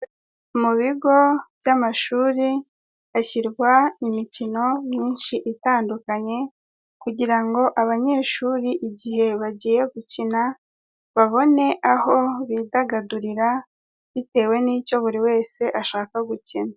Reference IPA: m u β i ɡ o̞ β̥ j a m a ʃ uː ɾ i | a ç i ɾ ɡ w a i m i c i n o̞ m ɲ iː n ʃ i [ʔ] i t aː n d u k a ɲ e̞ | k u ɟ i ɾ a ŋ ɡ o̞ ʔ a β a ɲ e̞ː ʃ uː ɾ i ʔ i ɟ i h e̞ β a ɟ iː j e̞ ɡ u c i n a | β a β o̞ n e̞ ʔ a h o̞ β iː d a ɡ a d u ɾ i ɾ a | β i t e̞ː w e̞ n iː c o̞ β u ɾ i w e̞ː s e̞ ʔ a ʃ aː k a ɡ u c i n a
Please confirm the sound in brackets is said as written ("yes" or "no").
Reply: yes